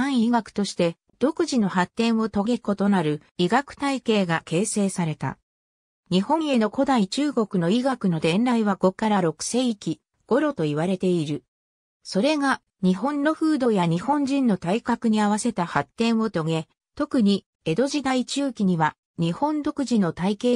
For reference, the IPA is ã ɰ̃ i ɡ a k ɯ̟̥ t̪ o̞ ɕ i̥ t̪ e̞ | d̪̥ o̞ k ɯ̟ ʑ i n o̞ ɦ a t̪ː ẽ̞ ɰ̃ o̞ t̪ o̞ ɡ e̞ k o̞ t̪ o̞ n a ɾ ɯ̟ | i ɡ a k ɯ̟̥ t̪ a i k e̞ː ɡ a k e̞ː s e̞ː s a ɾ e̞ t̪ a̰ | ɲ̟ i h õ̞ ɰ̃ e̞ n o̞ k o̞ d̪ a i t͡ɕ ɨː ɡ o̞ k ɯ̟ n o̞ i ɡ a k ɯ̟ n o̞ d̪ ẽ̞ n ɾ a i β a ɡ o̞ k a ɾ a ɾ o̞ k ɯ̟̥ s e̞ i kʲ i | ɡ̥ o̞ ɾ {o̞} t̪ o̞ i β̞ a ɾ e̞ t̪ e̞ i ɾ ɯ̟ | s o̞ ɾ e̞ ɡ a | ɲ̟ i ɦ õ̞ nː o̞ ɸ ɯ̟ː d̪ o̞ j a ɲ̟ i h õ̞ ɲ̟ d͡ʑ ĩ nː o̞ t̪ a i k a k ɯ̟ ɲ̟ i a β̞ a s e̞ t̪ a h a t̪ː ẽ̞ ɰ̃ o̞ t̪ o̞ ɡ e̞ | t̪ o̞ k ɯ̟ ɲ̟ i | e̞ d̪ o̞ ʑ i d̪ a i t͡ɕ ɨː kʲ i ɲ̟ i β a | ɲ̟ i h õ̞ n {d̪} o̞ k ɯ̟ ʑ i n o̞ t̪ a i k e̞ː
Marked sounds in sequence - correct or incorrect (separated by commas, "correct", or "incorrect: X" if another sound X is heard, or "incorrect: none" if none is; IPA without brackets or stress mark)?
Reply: correct, correct